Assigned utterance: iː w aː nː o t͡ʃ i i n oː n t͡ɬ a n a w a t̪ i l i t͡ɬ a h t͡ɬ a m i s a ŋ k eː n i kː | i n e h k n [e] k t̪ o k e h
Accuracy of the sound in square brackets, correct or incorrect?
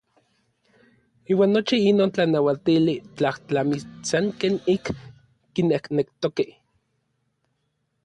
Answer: correct